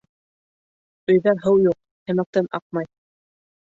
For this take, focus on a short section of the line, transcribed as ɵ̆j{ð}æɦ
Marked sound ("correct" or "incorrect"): correct